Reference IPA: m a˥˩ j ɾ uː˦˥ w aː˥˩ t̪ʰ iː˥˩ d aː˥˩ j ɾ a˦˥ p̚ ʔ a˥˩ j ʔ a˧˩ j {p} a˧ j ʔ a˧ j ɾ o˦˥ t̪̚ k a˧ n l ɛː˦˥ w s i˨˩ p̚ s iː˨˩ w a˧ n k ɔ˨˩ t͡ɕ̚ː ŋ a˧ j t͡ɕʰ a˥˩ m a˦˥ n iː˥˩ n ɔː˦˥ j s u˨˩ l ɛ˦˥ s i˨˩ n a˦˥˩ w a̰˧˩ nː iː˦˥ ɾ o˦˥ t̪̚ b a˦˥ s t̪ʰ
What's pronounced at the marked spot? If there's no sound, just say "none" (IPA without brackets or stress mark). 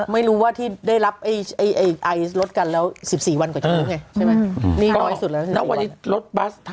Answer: ʔ